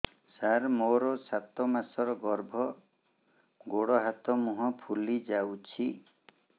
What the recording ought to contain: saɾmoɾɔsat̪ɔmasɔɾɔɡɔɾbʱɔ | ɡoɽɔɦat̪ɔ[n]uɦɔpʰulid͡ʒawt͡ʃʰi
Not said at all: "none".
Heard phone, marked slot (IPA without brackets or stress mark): m